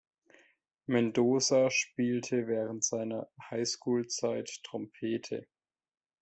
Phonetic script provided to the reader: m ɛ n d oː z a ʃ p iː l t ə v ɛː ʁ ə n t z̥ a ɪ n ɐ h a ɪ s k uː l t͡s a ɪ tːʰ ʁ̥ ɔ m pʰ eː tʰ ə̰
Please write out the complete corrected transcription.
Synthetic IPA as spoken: m ɛ n d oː z a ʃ p iː l tʰ ə v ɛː ʁ ə n t z̥ a ɪ n ɐ h a ɪ s k uː l t͡s a ɪ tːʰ ʁ̥ ɔ m pʰ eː tʰ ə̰